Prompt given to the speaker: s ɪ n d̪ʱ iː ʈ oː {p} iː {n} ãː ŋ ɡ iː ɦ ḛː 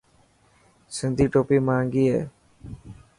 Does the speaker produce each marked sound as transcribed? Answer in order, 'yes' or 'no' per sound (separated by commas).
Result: yes, no